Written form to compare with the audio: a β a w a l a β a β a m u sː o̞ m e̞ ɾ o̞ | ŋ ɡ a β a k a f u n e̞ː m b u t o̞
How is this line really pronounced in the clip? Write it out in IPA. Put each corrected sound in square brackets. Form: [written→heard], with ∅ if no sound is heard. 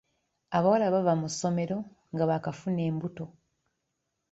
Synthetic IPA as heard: a β a w a l a β a [β→v] a m u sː o̞ m e̞ ɾ o̞ | ŋ ɡ a β a k a f u n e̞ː m b u t o̞